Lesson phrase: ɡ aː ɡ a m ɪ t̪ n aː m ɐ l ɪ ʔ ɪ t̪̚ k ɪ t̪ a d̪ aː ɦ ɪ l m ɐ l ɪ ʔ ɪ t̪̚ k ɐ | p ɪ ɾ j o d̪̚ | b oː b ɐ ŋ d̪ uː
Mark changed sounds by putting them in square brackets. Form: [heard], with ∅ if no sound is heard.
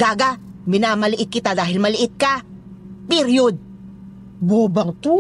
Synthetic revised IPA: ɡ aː ɡ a m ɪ [∅] n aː m ɐ l ɪ ʔ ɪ t̪̚ k ɪ t̪ a d̪ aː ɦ ɪ l m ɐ l ɪ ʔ ɪ t̪̚ k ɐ | p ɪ ɾ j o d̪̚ | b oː b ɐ ŋ [t̪] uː